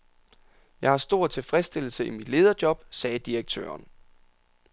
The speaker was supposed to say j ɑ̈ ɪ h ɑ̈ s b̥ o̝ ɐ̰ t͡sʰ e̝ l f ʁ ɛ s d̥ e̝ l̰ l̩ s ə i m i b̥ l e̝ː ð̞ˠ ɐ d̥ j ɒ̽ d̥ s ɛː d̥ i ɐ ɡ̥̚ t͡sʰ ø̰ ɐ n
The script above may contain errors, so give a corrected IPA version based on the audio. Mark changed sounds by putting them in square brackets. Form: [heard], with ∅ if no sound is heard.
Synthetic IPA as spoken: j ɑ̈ ɪ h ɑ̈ s [d̥] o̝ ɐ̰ t͡sʰ e̝ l f ʁ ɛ s d̥ e̝ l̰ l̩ s ə i m i [d̥] l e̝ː ð̞ˠ ɐ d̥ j ɒ̽ [b̥] s ɛː d̥ i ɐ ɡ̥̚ t͡sʰ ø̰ ɐ n